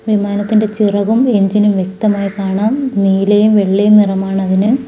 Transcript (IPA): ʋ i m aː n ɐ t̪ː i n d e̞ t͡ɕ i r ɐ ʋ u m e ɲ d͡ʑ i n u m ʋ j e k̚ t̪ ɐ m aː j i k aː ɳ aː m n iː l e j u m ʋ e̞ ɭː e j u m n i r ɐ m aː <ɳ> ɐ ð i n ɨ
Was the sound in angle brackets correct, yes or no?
yes